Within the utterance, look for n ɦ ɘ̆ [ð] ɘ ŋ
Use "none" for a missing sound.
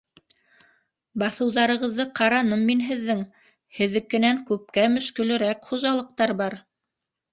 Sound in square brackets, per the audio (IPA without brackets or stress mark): ðː